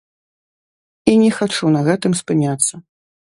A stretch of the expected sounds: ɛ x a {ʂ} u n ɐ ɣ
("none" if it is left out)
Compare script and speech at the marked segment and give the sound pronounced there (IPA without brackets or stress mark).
t͡ʂ